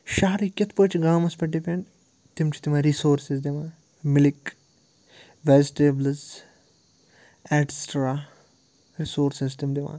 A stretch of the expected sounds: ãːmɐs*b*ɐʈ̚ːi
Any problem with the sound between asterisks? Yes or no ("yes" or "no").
yes